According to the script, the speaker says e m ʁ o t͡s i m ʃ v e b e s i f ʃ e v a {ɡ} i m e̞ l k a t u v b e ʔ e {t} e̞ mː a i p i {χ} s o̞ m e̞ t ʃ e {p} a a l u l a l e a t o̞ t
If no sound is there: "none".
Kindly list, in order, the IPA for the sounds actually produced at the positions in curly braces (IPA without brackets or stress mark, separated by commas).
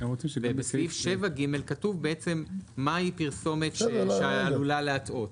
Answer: ɡ, t͡s, ʁ, none